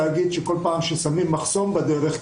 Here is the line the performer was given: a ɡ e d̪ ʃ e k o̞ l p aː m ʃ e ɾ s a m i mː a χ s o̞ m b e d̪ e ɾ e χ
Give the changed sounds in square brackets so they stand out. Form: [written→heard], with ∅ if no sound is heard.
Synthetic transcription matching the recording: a ɡ [e→i] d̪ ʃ e k o̞ l p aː m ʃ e [ɾ→∅] s a m i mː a χ s o̞ m b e d̪ e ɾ e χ